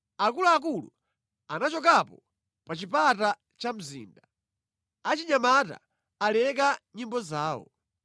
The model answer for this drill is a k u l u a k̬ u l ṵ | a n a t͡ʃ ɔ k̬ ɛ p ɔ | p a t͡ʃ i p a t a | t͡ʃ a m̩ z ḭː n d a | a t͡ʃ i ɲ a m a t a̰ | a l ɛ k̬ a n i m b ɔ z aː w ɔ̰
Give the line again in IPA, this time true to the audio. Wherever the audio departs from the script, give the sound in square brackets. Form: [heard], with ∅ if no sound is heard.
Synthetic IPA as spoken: a k u l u a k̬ u l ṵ | a n a t͡ʃ ɔ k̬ [a] p ɔ | p a t͡ʃ i p a t a | t͡ʃ a m̩ z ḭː n d a | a t͡ʃ i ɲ a m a t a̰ | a l ɛ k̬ a [ɲ] i m b ɔ z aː w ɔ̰

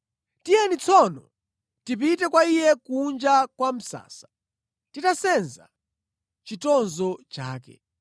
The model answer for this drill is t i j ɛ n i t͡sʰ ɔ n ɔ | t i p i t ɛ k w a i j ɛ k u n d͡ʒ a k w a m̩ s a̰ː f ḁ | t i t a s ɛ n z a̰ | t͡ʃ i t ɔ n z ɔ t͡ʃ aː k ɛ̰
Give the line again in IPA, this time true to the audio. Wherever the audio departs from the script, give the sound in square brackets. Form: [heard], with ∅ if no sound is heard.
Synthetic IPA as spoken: t i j ɛ n i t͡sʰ ɔ n ɔ | t i p i t ɛ k w a i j ɛ k u n d͡ʒ a k w a m̩ s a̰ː [s] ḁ | t i t a s ɛ n z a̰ | t͡ʃ i t ɔ n z ɔ t͡ʃ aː k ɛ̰

